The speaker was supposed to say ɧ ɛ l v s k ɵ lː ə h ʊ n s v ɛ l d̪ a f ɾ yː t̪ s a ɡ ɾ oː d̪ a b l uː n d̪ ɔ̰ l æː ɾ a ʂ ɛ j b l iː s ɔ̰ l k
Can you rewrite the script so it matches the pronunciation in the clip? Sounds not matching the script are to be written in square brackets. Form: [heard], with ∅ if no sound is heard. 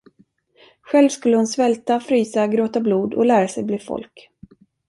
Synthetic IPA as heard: ɧ ɛ l v s k ɵ lː ə h ʊ n s v ɛ l [t̪] a f ɾ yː [∅] s a ɡ ɾ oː [t̪] a b l uː [∅] d̪ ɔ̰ l æː ɾ a [s] ɛ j b l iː [f] ɔ̰ l k